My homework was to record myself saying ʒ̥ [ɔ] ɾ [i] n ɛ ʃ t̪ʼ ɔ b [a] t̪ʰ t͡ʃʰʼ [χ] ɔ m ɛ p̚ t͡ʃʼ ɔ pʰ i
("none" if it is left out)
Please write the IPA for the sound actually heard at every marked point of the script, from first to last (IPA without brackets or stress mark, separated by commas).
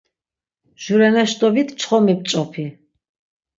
u, ɛ, i, χ